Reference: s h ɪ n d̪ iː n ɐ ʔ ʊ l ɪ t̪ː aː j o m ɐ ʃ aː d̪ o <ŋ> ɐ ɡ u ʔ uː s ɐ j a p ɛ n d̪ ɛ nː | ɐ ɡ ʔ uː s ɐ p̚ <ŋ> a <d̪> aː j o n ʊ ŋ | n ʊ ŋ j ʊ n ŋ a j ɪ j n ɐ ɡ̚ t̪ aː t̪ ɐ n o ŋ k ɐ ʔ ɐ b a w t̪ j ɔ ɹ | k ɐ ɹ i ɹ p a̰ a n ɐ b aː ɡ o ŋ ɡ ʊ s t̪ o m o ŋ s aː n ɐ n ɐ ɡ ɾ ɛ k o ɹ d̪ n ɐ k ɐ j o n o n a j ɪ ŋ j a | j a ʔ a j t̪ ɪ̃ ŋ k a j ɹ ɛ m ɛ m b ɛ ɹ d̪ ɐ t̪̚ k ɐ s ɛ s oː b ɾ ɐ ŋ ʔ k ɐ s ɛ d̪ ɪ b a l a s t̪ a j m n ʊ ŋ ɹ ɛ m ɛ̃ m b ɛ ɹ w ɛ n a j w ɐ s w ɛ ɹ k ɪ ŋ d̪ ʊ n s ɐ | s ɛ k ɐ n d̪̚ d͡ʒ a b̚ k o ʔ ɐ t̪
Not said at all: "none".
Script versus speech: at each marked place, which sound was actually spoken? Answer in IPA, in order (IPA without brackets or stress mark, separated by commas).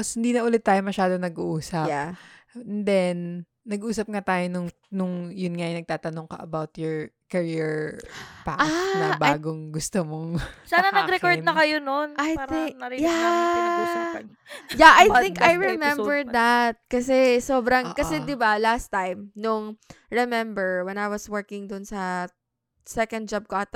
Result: n, ŋ, t̪